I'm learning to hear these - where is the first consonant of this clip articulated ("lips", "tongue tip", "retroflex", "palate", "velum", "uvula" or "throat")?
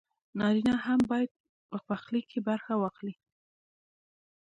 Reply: tongue tip